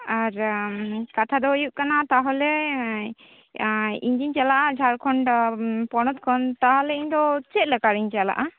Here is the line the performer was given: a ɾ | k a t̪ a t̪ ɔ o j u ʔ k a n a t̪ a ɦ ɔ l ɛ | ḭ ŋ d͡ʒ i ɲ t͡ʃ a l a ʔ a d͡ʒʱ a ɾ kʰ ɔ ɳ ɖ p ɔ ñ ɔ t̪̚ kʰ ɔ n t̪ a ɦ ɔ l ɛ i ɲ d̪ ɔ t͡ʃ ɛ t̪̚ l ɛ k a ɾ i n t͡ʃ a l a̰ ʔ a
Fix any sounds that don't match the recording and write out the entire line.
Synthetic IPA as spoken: a ɾ | k a t̪ʰ a d̪ ɔ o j u ʔ k a n a t̪ a ɦ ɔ l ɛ | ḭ ɲ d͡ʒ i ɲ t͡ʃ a l a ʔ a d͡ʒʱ a ɾ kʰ ɔ ɳ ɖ p ɔ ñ ɔ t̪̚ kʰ ɔ n t̪ a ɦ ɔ l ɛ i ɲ d̪ ɔ t͡ʃ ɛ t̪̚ l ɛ k a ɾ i ɲ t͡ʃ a l a̰ ʔ a